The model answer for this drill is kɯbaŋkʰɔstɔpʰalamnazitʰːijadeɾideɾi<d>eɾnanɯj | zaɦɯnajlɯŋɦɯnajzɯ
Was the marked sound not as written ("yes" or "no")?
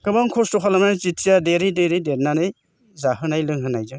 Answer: no